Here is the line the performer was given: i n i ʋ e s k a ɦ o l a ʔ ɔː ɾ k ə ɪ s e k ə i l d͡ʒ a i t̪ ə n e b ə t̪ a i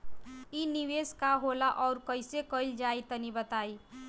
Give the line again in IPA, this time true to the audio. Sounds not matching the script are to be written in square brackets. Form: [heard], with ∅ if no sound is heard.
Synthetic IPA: i n i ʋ e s k a ɦ o l a ʔ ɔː ɾ k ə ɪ s e k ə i l d͡ʒ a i t̪ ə n [i] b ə t̪ a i